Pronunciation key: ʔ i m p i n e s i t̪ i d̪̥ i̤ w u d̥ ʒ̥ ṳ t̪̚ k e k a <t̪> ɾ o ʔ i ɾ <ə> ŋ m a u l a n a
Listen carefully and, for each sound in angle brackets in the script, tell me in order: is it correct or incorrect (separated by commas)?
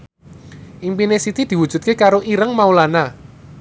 incorrect, correct